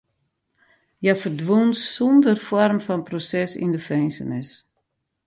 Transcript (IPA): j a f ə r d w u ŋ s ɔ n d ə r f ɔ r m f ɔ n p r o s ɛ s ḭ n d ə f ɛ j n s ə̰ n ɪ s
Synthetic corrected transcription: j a f ə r d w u n s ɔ n d ə r f ɔ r m f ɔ n p r o s ɛ s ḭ n d ə f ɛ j n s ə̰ n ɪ s